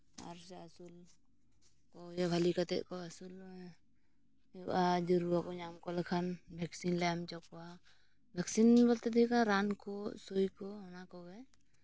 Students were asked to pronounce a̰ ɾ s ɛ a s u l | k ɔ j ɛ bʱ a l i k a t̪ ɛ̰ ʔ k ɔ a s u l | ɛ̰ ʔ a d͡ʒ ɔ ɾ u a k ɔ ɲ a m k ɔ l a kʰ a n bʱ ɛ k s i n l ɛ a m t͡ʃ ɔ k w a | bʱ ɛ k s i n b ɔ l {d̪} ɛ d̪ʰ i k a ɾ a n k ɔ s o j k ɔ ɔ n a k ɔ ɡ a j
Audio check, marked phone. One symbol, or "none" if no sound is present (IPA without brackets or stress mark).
t̪